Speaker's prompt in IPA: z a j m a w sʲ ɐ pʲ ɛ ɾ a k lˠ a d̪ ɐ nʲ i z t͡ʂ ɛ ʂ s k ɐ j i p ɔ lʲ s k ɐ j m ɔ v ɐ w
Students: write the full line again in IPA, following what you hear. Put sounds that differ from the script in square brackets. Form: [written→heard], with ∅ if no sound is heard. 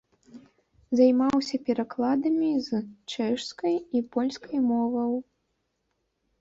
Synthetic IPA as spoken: z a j m a w sʲ ɐ pʲ ɛ ɾ a k lˠ a d̪ ɐ [nʲ→mʲ] i z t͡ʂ ɛ ʂ s k ɐ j i p ɔ lʲ s k ɐ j m ɔ v ɐ w